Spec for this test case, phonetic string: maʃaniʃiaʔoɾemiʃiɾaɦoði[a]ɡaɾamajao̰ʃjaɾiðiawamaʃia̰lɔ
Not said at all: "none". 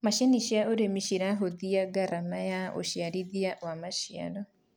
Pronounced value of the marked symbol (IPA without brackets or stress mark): a